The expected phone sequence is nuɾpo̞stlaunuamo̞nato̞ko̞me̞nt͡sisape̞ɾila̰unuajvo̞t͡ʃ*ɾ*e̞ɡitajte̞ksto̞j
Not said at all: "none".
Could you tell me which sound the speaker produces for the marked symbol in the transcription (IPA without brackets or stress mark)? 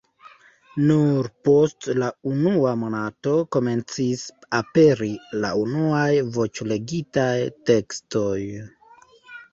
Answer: l